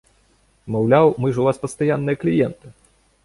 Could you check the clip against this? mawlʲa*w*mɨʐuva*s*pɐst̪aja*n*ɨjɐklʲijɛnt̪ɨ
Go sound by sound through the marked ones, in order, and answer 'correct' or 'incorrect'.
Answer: correct, correct, incorrect: nː

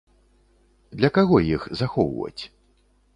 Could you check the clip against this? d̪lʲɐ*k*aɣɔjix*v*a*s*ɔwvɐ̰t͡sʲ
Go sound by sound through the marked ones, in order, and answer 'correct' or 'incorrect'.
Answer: correct, incorrect: z, incorrect: x

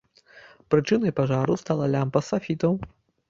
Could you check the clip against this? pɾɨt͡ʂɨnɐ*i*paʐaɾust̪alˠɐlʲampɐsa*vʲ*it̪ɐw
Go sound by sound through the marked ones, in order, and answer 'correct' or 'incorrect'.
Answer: incorrect: j, incorrect: fʲ

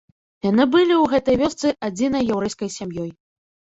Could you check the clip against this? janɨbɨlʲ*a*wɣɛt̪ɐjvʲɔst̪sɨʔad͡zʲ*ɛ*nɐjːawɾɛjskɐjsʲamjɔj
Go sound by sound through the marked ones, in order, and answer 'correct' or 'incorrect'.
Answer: incorrect: i, incorrect: i

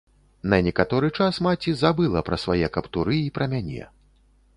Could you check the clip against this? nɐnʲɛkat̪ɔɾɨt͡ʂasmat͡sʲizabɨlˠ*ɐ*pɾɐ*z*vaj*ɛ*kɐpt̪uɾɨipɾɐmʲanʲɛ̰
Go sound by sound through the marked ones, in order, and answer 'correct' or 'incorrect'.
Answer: correct, incorrect: s, correct

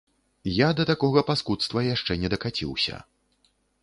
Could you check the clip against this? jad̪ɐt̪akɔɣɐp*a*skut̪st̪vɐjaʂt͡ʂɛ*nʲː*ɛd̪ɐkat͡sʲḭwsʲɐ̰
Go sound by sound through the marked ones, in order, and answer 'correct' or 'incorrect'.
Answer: correct, incorrect: nʲ

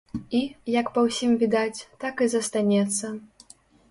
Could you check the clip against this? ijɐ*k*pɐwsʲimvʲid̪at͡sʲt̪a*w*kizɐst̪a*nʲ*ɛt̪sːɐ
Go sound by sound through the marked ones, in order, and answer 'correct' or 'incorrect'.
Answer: correct, incorrect: none, correct

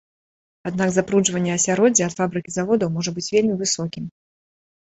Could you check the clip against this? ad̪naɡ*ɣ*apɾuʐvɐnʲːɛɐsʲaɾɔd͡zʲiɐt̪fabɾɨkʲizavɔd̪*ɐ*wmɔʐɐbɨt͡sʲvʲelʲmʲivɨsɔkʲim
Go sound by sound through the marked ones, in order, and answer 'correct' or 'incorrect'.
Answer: incorrect: z, correct

